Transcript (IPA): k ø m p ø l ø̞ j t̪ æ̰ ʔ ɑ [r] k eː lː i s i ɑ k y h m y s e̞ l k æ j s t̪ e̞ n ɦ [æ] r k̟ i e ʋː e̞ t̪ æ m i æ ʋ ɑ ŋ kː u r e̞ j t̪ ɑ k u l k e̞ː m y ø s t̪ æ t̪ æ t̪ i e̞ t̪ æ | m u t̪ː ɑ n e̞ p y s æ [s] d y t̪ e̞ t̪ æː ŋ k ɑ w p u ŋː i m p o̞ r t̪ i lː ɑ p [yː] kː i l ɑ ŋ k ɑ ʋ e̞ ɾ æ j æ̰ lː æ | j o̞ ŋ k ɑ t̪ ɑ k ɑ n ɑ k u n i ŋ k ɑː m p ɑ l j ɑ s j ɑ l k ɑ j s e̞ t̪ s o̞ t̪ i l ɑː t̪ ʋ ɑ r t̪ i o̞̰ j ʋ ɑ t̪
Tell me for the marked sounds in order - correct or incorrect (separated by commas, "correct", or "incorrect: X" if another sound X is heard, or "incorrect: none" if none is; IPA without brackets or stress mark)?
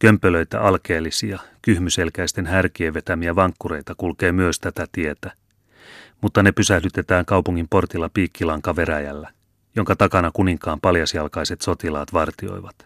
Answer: incorrect: l, correct, incorrect: h, incorrect: iː